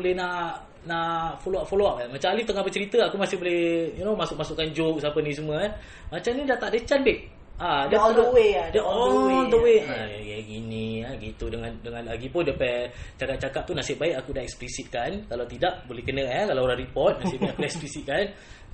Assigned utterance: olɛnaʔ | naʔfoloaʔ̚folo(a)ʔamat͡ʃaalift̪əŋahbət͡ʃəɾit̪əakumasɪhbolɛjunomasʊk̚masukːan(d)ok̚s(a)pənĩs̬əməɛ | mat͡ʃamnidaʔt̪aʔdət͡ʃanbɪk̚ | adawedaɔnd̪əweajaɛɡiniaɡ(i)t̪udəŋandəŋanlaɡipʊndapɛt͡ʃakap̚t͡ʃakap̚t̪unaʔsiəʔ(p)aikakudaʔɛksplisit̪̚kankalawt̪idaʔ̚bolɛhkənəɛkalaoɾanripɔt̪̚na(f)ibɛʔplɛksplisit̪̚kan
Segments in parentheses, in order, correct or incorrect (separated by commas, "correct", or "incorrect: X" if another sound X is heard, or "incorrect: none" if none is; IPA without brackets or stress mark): correct, incorrect: d͡ʒ, correct, correct, incorrect: b, incorrect: s